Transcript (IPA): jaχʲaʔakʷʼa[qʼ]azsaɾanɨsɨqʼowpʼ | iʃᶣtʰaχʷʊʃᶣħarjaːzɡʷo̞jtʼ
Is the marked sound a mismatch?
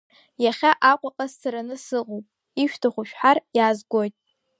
no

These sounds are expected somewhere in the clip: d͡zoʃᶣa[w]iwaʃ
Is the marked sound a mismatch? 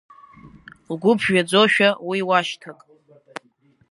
no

